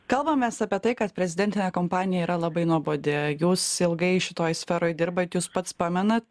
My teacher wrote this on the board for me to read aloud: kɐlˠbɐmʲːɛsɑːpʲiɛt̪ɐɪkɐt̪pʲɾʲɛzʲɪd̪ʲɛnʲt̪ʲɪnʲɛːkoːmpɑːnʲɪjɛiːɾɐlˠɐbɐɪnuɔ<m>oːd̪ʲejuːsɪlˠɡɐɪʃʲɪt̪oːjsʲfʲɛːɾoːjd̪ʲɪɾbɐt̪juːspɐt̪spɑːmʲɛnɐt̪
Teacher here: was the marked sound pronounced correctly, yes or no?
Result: no